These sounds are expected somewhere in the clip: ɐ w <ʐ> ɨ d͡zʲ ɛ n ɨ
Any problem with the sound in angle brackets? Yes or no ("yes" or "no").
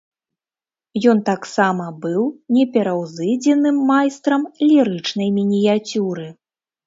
yes